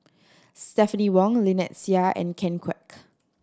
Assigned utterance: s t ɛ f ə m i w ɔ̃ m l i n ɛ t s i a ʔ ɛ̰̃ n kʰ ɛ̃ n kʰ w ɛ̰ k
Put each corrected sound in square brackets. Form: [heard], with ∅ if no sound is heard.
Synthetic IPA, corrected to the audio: s t ɛ f ə [n] i w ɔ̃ [ŋ] l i n ɛ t s i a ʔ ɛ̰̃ n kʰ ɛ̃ n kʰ w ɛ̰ k